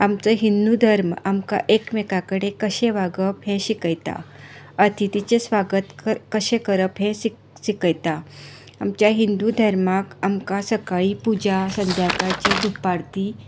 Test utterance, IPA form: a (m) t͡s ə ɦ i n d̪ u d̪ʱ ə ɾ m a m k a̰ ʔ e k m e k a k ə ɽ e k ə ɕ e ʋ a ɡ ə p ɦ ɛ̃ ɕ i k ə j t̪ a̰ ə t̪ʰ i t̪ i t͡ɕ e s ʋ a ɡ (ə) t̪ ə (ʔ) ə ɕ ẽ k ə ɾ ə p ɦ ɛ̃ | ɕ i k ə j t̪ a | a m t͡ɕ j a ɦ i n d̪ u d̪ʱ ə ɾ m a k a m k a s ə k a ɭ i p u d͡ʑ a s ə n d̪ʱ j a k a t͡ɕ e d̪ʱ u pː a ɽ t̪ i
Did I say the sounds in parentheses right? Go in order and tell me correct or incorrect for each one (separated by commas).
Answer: correct, correct, incorrect